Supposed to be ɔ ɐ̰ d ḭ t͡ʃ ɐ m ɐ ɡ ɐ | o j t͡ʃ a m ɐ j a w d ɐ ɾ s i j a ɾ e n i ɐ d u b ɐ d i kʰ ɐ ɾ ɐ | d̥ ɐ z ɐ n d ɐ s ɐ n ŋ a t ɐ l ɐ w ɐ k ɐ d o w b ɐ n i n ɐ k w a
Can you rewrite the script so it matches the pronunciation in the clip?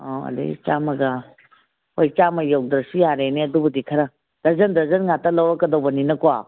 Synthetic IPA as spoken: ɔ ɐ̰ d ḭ t͡ʃ a m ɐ ɡ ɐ | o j t͡ʃ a m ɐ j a w d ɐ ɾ s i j a ɾ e n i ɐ d u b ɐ d i kʰ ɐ ɾ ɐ | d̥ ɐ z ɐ n d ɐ z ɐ n ŋ a t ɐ l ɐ w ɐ k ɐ d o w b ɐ n i n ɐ k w a